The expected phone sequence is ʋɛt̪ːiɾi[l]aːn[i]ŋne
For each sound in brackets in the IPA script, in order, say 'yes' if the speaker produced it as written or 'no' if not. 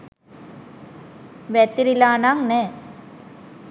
yes, no

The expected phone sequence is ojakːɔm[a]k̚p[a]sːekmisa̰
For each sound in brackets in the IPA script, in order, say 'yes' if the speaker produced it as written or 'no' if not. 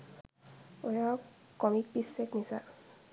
no, no

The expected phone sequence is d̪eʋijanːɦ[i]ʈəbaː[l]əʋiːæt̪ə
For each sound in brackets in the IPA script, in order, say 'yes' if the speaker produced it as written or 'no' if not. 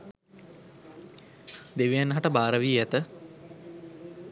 no, no

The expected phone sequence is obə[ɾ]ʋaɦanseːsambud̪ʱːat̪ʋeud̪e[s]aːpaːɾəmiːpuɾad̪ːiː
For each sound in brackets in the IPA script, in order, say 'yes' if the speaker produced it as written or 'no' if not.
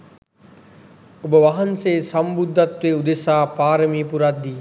no, yes

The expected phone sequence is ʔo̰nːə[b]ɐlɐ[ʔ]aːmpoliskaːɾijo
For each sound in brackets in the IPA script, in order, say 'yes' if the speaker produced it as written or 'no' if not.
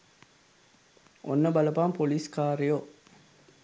yes, no

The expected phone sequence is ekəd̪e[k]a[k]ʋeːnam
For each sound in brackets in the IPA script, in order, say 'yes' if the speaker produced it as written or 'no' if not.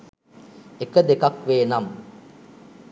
yes, yes

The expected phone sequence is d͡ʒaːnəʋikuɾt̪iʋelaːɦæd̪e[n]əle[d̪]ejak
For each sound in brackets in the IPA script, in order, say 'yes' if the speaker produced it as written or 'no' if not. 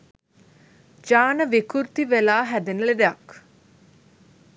yes, yes

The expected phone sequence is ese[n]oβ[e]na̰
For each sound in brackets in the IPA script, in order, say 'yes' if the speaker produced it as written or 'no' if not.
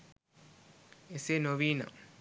yes, no

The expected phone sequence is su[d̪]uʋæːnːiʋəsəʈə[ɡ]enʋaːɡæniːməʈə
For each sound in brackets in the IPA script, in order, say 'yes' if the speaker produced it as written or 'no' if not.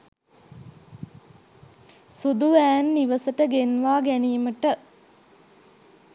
yes, yes

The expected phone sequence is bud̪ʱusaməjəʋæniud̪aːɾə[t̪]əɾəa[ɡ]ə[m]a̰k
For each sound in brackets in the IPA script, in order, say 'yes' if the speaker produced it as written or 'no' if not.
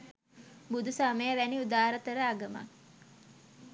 yes, yes, yes

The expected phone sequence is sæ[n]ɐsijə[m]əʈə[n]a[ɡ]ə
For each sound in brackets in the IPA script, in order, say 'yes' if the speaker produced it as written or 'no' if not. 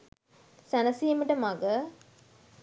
yes, yes, no, yes

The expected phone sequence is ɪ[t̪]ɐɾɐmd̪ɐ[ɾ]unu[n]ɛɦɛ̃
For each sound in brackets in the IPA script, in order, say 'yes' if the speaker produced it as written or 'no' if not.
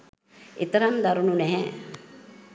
yes, yes, yes

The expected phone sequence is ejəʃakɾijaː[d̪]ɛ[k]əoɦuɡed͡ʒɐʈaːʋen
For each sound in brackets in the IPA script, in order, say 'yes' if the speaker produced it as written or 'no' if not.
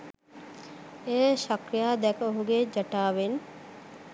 yes, yes

